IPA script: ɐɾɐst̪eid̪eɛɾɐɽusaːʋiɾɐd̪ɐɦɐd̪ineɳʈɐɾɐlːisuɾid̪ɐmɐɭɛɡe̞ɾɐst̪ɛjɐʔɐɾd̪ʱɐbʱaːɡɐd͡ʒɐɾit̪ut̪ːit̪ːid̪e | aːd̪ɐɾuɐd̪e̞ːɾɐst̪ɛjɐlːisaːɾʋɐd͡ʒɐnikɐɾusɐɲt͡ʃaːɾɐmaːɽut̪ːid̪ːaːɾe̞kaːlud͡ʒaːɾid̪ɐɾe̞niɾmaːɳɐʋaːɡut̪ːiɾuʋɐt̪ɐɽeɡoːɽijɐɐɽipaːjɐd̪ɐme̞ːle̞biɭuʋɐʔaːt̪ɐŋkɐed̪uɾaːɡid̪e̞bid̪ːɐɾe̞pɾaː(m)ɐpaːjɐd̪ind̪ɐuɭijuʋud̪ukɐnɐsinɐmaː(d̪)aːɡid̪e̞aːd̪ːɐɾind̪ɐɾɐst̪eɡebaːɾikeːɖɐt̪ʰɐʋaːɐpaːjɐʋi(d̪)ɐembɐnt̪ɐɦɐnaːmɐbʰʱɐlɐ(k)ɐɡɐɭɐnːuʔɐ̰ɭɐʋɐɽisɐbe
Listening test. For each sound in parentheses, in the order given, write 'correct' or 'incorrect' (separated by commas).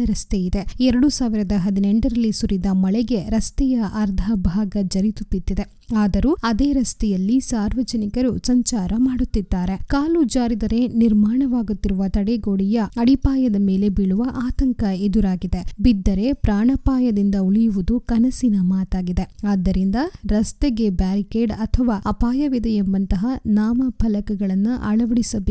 incorrect, incorrect, correct, correct